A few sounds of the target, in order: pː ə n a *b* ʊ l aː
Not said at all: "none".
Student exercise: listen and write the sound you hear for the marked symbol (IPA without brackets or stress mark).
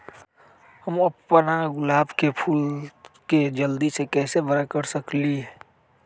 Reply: ɡ